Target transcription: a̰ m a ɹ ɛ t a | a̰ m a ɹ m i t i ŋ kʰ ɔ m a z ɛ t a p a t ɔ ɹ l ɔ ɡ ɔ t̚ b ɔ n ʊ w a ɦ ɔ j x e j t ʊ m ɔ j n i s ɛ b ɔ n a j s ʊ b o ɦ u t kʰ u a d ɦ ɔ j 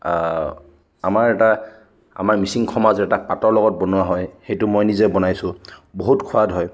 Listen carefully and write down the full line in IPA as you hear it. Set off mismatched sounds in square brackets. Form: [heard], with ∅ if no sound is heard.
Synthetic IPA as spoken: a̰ m a ɹ ɛ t a | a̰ m a ɹ m i [s] i ŋ kʰ ɔ m a z ɛ t a p a t ɔ ɹ l ɔ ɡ ɔ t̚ b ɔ n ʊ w a ɦ ɔ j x e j t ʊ m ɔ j n i [z] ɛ b ɔ n a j s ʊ b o ɦ u t kʰ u a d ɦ ɔ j